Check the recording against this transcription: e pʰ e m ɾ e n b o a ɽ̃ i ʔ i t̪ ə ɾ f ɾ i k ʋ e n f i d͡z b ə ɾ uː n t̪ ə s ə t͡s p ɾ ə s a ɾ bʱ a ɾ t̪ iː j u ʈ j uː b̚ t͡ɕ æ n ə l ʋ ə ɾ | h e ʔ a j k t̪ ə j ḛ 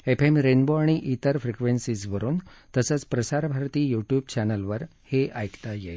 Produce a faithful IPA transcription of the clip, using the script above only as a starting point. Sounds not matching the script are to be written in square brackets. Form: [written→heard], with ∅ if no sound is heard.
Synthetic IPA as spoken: e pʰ e m ɾ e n b o a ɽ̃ i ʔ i t̪ ə ɾ f ɾ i k ʋ e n [f→s] i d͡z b ə ɾ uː n t̪ ə s ə t͡s p ɾ ə s a ɾ bʱ a ɾ t̪ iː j u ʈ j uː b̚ t͡ɕ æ n ə l ʋ ə ɾ | h e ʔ a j k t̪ [ə→a] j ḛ

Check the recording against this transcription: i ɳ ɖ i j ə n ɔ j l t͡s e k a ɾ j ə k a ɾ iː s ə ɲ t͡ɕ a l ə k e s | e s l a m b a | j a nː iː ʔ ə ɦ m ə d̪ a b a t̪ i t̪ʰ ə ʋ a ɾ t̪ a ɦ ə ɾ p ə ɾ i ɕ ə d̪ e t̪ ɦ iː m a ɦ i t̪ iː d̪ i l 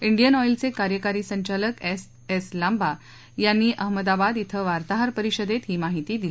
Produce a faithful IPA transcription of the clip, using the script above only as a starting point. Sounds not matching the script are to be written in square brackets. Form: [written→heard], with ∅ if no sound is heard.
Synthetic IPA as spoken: i ɳ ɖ i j ə n ɔ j l t͡s e k a ɾ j ə k a ɾ iː s ə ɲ t͡ɕ a l ə k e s | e s l a m b a | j a nː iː ʔ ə ɦ m ə d̪ a b a [t̪→d̪] i t̪ʰ ə ʋ a ɾ t̪ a ɦ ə ɾ p ə ɾ i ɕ ə d̪ e t̪ ɦ iː m a ɦ i t̪ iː d̪ i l

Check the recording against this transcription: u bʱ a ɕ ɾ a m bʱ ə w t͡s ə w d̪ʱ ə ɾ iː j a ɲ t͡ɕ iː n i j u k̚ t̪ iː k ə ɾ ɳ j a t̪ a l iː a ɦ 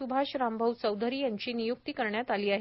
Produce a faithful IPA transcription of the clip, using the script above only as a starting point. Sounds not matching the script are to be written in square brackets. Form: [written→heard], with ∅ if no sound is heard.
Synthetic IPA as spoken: u bʱ a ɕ ɾ a m bʱ ə w t͡s ə w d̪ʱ ə ɾ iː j a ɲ t͡ɕ iː n i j u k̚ t̪ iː k ə ɾ ɳ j a t̪ a l iː a ɦ

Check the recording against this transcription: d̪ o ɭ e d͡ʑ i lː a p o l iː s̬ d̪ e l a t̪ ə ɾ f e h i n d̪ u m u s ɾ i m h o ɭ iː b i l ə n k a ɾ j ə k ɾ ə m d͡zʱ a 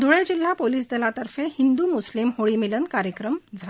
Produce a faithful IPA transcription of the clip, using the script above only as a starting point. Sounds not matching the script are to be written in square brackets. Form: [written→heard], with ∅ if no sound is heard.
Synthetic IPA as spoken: d̪ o ɭ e d͡ʑ i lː a p o l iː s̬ d̪ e l a t̪ ə ɾ f e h i n d̪ u m u s [ɾ→l] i m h o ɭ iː [b→m] i l ə n k a ɾ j ə k ɾ ə m d͡zʱ a

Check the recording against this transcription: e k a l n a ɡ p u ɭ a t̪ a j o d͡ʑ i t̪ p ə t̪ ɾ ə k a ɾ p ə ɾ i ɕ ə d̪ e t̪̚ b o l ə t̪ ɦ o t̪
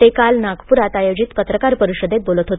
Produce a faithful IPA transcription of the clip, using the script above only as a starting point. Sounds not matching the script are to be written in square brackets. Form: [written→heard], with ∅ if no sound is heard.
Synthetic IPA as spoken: e k a l n a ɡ p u [ɭ→ɾ] a t̪ a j o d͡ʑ i t̪ p ə t̪ ɾ ə k a ɾ p ə ɾ i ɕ ə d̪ e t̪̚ b o l ə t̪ ɦ o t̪

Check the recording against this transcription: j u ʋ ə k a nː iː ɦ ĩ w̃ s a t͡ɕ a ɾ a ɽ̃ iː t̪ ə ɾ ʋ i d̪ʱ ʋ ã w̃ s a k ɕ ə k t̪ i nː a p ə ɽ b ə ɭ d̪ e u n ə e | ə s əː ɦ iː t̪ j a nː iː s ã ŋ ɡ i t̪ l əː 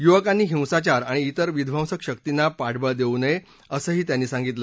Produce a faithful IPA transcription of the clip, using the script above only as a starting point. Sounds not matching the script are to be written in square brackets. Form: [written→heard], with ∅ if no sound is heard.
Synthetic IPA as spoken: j u ʋ ə k a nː iː ɦ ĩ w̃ s a t͡ɕ a ɾ a ɽ̃ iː t̪ ə ɾ ʋ i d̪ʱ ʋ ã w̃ s [a→ə] k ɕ ə k t̪ i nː a p [ə→a] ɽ b ə ɭ d̪ e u n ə e | ə s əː ɦ iː t̪ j a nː iː s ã ŋ ɡ i t̪ l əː

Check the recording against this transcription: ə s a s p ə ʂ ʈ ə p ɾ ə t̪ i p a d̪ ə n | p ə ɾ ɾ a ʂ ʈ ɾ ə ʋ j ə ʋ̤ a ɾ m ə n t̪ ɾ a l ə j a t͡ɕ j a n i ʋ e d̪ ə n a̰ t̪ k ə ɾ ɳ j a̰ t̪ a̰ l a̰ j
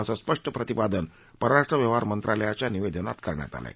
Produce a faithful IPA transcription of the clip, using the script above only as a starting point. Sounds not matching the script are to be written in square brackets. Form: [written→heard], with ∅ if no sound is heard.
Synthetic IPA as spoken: ə s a s p ə ʂ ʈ ə p ɾ ə t̪ i p a d̪ ə n | p ə ɾ ɾ a ʂ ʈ ɾ ə ʋ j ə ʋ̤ a ɾ m ə n t̪ ɾ a l ə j a t͡ɕ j a n i ʋ e d̪ ə n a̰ t̪ k ə ɾ ɳ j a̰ t̪ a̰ l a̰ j

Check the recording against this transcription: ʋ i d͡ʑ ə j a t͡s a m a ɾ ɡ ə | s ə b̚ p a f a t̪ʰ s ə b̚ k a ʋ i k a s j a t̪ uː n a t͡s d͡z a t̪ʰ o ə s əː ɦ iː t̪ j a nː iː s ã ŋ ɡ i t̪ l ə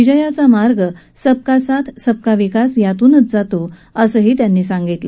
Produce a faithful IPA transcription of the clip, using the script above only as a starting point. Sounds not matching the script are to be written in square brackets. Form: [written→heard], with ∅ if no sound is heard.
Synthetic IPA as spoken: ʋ i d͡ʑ ə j a t͡s a m a ɾ ɡ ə | s ə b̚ [p→k] a [f→s] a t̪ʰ s ə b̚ k a ʋ i k a s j a t̪ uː n [a→ə] t͡s d͡z a [t̪ʰ→t̪] o ə s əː ɦ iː t̪ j a nː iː s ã ŋ ɡ i t̪ l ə

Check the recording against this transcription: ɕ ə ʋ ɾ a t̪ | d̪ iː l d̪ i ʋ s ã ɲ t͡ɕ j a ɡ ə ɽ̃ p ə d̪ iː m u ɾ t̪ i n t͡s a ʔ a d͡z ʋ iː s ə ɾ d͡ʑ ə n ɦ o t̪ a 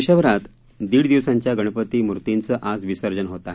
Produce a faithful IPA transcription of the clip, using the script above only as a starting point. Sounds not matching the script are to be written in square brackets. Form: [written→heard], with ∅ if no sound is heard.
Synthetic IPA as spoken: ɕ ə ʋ ɾ a t̪ | d̪ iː [l→ɽ] d̪ i ʋ s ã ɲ t͡ɕ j a ɡ ə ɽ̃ p ə [d̪→t̪] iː m u ɾ t̪ i n t͡s [a→ə] ʔ a d͡z ʋ [iː→i] s ə ɾ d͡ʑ ə n ɦ o t̪ a

